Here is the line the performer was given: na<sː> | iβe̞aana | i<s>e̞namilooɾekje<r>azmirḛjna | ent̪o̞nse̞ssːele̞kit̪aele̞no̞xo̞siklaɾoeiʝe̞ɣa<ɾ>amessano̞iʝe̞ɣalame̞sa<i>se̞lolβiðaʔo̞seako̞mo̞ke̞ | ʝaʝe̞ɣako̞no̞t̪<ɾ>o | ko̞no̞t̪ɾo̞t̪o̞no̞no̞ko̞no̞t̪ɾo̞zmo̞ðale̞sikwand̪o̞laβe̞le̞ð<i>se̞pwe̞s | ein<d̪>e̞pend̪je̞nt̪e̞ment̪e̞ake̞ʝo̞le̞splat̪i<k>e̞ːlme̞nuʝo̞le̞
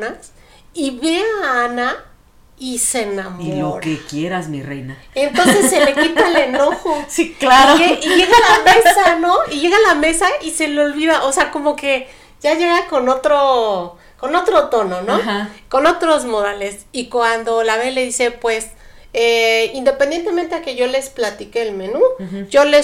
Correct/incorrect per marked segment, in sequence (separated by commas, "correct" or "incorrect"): incorrect, correct, incorrect, incorrect, correct, correct, correct, correct, correct